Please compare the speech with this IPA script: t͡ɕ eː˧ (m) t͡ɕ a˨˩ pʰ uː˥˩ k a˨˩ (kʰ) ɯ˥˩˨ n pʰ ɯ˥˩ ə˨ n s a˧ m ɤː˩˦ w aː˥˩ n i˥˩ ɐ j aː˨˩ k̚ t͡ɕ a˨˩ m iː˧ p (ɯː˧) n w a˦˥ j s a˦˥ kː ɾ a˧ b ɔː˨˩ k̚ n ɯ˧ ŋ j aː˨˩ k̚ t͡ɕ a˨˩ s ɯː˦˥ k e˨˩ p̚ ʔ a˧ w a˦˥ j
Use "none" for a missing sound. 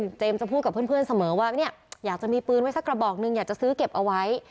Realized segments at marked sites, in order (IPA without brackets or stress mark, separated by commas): m, pʰ, ɯː˧